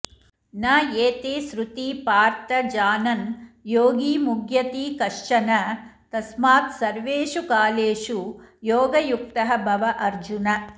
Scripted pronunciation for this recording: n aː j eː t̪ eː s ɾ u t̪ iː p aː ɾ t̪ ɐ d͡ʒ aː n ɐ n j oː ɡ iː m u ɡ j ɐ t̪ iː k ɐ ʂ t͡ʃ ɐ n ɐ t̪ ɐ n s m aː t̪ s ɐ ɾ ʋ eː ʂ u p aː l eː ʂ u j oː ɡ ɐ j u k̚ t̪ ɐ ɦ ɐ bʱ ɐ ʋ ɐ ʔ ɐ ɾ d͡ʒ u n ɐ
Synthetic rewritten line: n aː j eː t̪ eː s ɾ u t̪ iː p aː ɾ t̪ ɐ d͡ʒ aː n ɐ n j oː ɡ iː m u ɡ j ɐ t̪ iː k ɐ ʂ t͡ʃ ɐ n ɐ t̪ ɐ s m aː t̪ s ɐ ɾ ʋ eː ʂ u k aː l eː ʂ u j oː ɡ ɐ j u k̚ t̪ ɐ ɦ ɐ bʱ ɐ ʋ ɐ ʔ ɐ ɾ d͡ʒ u n ɐ